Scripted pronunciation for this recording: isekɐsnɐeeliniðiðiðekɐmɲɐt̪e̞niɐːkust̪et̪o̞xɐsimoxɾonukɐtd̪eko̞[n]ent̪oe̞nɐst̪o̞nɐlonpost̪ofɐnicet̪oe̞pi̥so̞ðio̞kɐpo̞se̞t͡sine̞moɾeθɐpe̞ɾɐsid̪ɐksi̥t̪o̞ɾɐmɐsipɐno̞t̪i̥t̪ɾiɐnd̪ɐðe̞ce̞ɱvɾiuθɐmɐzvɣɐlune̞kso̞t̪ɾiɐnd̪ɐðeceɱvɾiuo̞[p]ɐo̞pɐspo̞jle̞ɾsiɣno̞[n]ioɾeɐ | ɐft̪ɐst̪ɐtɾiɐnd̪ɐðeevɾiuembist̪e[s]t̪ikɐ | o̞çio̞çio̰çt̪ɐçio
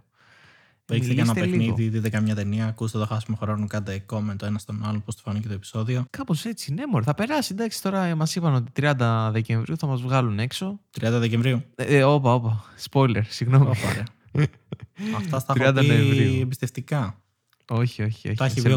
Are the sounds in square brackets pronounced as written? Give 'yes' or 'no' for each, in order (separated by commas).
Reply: no, yes, no, no